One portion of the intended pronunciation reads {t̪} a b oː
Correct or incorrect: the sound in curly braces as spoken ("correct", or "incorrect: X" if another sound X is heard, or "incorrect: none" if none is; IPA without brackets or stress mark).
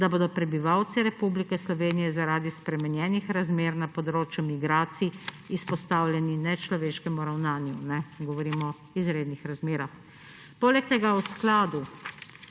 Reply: incorrect: d̪